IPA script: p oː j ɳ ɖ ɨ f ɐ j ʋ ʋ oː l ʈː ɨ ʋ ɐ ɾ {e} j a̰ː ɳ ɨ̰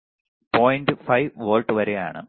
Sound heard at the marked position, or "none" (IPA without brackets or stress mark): e